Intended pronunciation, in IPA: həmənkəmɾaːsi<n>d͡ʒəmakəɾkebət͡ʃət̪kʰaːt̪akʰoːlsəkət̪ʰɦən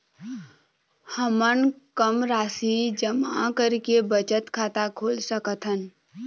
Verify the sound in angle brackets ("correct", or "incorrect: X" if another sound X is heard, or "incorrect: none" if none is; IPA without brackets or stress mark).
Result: incorrect: none